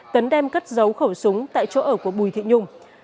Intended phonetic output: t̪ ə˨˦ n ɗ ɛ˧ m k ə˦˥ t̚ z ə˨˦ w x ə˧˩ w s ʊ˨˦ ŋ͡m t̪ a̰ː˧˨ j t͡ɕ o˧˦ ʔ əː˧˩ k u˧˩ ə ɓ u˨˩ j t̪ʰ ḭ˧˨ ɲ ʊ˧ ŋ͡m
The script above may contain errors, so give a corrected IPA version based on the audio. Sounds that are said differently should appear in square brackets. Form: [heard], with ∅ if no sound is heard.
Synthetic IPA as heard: t̪ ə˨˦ n ɗ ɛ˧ m k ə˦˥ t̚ z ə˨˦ w x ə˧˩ w s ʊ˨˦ ŋ͡m t̪ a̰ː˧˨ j t͡ɕ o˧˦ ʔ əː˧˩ k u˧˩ ə ɓ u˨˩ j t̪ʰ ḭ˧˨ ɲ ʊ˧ ŋ͡m

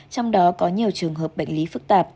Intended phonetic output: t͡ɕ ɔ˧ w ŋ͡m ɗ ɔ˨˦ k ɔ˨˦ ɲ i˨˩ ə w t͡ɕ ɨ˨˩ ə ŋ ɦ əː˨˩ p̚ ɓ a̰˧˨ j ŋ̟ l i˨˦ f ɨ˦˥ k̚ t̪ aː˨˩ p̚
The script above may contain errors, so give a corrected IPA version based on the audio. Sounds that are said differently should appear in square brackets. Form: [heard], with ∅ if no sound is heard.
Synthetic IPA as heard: t͡ɕ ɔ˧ w ŋ͡m ɗ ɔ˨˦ k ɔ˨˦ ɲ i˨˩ ə w t͡ɕ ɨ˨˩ ə ŋ ɦ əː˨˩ p̚ ɓ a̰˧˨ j ŋ̟ l i˨˦ f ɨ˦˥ k̚ t̪ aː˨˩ p̚

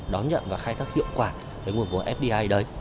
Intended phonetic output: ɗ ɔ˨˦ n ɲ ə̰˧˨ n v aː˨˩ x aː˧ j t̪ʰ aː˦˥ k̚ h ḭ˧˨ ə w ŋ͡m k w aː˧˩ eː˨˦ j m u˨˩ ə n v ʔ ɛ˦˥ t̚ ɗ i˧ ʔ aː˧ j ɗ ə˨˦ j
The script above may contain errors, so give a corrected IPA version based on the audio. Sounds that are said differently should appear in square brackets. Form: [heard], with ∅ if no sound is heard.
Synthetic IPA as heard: ɗ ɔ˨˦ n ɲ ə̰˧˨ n v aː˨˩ x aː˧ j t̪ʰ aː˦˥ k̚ h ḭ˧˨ ə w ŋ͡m k w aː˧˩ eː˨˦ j [ŋ] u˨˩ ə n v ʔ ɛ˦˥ [p̚] ɗ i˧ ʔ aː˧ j ɗ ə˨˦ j

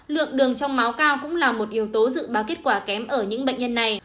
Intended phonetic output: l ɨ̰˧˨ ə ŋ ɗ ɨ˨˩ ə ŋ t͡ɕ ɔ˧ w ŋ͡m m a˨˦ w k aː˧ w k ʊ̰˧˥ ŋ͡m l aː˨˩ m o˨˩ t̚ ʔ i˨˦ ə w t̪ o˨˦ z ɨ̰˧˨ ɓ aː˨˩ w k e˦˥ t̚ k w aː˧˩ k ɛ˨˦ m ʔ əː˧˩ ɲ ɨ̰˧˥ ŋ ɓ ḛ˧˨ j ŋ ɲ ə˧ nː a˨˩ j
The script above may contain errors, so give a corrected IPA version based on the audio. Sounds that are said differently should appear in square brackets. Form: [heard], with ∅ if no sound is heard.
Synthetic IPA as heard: l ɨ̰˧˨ ə ŋ ɗ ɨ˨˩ ə ŋ t͡ɕ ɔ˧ w ŋ͡m m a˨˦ w k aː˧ w k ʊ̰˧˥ ŋ͡m l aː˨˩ m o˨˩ t̚ ʔ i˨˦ ə w t̪ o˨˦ z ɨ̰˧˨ ɓ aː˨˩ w k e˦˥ t̚ k w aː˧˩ k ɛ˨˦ m ʔ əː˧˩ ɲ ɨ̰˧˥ ŋ ɓ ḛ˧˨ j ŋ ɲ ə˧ nː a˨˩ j

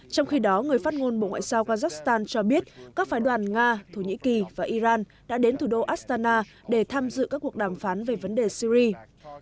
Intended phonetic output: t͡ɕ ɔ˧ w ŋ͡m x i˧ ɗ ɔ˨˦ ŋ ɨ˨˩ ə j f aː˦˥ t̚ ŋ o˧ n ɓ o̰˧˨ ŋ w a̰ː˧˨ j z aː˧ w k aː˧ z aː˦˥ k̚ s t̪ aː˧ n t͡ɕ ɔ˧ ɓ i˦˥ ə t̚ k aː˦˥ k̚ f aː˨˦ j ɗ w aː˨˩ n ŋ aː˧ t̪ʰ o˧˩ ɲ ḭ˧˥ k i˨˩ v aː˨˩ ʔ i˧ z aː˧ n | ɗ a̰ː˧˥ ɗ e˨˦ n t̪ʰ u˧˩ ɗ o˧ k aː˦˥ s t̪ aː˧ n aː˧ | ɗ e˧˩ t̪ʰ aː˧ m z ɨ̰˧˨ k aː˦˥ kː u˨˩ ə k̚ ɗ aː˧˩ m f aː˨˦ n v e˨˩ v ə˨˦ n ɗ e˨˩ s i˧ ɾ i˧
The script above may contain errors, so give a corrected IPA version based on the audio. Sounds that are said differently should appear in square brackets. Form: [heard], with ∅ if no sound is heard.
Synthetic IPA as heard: t͡ɕ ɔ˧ w ŋ͡m x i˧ ɗ ɔ˨˦ ŋ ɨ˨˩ ə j f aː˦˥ t̚ ŋ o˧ n ɓ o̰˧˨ ŋ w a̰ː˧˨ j z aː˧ w k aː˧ z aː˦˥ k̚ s t̪ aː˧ n t͡ɕ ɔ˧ ɓ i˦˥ ə t̚ k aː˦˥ k̚ f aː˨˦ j ɗ w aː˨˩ n ŋ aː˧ t̪ʰ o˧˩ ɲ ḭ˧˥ k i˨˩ v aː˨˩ ʔ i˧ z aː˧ n | ɗ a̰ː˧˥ ɗ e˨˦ n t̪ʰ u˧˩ ɗ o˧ [ʔ] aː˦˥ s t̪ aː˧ n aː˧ | ɗ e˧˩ t̪ʰ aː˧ m z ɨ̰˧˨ k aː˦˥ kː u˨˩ ə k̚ ɗ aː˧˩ m f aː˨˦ n v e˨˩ v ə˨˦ n ɗ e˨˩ s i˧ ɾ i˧

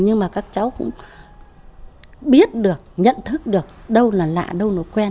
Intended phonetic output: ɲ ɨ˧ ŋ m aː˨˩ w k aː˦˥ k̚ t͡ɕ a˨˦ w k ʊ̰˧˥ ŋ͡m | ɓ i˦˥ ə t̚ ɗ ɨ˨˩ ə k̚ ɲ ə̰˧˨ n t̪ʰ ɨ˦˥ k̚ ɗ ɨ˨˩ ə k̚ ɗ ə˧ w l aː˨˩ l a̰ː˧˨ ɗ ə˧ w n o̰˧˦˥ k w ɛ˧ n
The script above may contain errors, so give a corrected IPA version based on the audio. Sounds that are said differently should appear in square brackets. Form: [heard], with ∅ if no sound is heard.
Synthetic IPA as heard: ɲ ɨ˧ ŋ m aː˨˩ [∅] k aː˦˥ k̚ t͡ɕ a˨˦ w k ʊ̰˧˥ ŋ͡m | ɓ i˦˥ ə t̚ ɗ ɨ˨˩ ə k̚ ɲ ə̰˧˨ n t̪ʰ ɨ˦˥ k̚ ɗ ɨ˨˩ ə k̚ ɗ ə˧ w l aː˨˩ l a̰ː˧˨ ɗ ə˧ w n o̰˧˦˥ k w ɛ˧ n

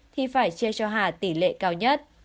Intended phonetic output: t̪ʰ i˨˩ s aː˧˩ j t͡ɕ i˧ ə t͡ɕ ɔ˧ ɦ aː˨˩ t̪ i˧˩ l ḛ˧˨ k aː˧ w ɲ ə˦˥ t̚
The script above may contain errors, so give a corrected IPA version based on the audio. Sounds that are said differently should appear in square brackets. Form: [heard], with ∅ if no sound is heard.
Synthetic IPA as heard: t̪ʰ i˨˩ [f] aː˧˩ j t͡ɕ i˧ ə t͡ɕ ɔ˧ ɦ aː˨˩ t̪ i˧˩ l ḛ˧˨ k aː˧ w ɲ ə˦˥ t̚

